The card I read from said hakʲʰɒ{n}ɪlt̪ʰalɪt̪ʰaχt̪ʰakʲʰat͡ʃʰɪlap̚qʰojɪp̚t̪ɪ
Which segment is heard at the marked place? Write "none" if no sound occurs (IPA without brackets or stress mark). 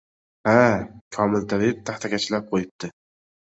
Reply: m